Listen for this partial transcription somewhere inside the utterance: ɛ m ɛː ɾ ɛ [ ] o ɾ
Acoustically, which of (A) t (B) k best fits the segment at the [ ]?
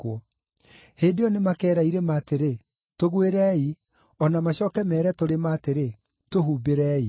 A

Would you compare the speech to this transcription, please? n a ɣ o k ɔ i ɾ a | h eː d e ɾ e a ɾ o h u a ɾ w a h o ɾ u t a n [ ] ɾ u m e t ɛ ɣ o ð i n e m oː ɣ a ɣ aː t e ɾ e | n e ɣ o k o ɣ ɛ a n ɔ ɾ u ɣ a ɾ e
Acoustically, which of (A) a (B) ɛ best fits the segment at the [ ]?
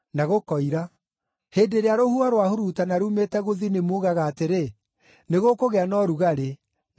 A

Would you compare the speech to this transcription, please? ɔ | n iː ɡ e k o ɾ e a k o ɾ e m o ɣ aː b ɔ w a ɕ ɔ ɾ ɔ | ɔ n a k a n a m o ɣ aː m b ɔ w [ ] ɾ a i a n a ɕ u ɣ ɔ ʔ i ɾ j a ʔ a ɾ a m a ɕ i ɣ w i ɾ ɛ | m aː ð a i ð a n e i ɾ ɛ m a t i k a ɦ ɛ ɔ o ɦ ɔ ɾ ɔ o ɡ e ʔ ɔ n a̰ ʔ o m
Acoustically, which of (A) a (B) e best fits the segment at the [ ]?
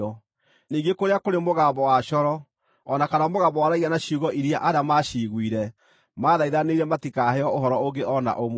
A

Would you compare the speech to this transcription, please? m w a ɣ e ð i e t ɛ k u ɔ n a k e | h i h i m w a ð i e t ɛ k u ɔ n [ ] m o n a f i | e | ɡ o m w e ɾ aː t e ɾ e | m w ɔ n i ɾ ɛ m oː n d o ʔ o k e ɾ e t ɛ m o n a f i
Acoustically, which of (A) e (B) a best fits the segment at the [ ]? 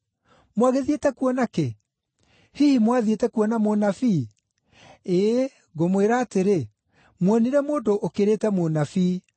B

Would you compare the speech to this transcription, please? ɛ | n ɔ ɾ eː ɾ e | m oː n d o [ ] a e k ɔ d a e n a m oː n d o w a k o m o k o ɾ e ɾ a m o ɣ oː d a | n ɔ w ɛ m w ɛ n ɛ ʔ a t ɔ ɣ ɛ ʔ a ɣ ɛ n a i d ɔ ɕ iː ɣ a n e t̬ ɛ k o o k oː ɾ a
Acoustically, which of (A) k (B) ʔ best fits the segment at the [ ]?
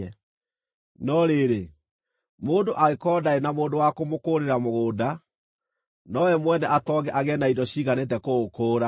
B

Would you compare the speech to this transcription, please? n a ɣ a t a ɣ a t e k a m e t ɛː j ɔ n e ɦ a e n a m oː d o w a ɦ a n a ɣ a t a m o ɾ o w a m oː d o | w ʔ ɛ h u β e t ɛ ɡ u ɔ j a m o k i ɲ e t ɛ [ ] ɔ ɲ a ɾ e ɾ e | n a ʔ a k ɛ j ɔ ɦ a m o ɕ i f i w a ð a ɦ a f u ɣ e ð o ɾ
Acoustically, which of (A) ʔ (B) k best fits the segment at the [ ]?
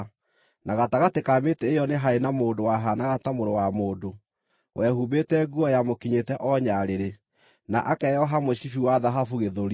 A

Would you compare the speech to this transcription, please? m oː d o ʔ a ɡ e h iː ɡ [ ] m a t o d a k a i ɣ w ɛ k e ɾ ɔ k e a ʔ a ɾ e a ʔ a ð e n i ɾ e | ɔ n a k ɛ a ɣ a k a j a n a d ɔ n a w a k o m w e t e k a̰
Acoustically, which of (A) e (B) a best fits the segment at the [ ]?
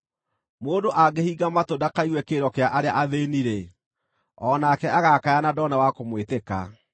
B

